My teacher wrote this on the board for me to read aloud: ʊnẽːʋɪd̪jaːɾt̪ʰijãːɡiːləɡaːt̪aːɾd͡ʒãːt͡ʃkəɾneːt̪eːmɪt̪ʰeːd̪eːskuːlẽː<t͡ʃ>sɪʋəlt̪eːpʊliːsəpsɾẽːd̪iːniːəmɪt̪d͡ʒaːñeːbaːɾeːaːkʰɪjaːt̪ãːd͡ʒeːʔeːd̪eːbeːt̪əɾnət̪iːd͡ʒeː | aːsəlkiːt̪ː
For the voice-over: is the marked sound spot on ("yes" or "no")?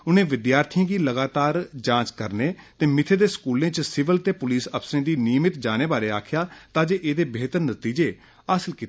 yes